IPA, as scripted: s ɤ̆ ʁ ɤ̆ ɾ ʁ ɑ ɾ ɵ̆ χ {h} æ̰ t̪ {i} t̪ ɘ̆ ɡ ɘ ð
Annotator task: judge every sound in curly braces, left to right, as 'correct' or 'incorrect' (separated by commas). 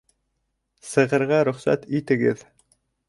incorrect, correct